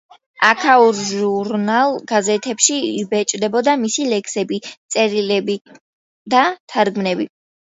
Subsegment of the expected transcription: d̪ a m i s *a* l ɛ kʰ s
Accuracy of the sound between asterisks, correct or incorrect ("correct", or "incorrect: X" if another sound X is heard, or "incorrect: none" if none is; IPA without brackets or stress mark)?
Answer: incorrect: i